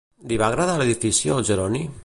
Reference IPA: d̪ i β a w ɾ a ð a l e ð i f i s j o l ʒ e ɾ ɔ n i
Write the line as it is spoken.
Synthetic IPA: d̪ i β a ɣ ɾ a ð a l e ð i f i s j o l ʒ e ɾ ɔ n i